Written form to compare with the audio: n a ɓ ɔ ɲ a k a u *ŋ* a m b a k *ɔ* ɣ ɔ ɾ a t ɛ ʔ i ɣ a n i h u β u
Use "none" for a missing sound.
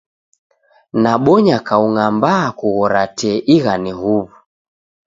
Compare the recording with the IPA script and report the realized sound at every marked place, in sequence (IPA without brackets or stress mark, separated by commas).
ŋ, u